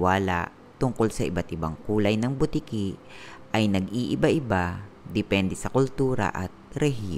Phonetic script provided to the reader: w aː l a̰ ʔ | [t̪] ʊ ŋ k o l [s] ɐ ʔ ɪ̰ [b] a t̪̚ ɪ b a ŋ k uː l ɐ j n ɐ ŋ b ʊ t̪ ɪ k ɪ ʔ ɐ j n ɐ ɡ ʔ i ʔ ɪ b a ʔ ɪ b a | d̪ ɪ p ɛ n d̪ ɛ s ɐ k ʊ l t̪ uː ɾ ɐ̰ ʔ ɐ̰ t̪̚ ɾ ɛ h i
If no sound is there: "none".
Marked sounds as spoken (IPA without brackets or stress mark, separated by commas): t̪, s, b